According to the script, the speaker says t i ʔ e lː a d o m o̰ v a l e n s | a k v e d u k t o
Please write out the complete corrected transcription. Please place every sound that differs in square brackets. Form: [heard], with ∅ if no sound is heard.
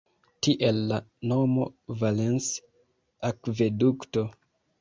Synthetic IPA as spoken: t i ʔ e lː a [n] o m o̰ v a l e n s | a k v e d u k t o